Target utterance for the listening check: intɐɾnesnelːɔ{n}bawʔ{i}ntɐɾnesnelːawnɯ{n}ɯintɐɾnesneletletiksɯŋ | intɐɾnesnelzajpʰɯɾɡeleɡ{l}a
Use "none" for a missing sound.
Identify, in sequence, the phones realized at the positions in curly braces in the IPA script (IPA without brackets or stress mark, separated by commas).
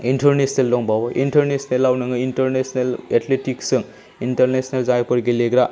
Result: ŋ, i, ŋ, ɾ